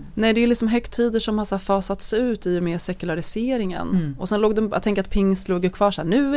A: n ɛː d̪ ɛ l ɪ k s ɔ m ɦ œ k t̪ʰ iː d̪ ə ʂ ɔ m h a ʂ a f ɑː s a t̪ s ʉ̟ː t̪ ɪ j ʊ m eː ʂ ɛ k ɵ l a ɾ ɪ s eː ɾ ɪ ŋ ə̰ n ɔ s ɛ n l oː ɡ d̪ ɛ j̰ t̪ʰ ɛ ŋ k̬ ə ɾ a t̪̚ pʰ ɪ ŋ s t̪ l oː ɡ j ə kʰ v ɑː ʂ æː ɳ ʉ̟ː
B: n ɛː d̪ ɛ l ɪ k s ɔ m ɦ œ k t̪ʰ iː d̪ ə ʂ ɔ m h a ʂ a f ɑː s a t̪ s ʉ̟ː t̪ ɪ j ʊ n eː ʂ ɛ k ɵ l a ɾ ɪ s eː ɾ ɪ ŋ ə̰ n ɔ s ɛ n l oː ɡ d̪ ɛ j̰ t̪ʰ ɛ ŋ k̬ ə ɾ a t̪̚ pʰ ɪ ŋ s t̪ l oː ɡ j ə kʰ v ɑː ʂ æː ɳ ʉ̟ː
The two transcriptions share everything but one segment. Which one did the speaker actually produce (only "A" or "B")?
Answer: A